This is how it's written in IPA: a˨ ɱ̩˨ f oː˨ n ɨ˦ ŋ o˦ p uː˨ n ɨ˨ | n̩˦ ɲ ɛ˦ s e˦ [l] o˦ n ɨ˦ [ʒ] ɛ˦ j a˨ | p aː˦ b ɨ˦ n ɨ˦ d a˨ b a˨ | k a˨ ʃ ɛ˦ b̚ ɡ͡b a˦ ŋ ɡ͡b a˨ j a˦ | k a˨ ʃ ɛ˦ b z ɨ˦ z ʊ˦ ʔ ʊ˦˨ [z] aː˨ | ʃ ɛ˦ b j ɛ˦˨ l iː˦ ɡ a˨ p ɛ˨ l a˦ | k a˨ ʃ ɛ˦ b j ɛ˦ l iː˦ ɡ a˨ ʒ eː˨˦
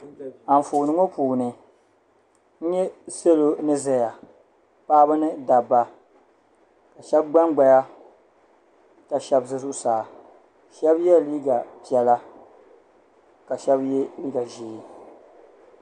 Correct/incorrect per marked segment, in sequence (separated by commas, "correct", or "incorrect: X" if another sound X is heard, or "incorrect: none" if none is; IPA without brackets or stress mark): correct, incorrect: z, incorrect: s